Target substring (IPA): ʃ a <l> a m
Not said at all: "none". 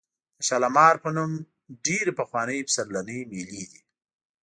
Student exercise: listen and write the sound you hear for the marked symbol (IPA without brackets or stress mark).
l